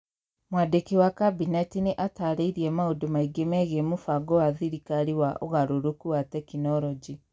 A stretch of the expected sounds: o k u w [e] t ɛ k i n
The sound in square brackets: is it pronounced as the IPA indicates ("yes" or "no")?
no